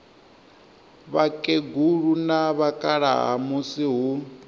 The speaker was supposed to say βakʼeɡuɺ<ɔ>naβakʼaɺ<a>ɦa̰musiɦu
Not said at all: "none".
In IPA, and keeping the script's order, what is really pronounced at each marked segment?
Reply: u, a

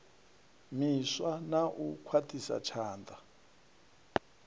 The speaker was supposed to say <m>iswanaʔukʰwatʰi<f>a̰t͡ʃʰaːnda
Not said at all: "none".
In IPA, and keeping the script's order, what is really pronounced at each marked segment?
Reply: m, s

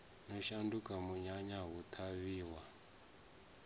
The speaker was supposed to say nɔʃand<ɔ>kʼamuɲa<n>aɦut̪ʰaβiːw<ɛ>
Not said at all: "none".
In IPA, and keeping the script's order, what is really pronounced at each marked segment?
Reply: u, ɲ, a

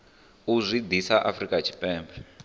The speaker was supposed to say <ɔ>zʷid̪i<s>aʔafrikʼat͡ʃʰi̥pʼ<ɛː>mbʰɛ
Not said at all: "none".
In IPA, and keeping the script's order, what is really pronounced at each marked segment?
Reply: u, s, ɛː

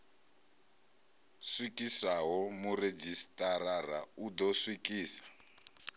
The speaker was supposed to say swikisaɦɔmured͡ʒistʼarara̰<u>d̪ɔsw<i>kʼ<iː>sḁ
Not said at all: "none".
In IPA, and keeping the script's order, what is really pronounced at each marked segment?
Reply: u, i, iː

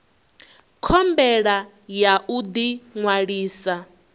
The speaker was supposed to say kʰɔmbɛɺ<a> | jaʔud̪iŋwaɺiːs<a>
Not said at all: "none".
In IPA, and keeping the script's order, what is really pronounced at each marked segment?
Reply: a, a

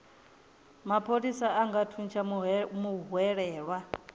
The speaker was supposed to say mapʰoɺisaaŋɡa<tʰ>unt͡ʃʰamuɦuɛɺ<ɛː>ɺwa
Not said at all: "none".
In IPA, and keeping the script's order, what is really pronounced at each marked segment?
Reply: tʰ, ɛː

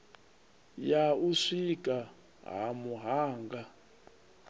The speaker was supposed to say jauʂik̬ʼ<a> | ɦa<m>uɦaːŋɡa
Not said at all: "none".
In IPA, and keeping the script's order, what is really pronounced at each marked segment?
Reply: a, m

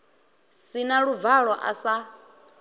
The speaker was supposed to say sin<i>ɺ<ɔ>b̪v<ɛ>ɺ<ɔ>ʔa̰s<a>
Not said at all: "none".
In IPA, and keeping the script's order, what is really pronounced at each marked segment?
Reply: a, u, a, ɔ, a

